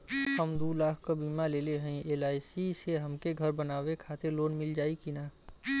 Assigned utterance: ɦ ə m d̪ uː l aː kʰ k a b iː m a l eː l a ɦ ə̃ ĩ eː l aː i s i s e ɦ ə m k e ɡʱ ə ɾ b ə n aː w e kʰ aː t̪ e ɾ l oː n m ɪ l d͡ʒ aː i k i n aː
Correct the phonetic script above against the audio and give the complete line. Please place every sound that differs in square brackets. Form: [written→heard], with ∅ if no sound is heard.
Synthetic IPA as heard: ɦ ə m d̪ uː l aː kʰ k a b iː m a l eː l [a→e] ɦ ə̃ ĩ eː l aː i s i s e ɦ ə m k e ɡʱ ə ɾ b ə n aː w e kʰ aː t̪ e ɾ l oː n m ɪ l d͡ʒ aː i k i n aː